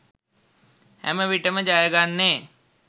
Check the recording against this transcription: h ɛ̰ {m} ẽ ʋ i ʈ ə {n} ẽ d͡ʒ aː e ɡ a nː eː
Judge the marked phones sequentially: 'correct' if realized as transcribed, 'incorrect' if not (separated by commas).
correct, incorrect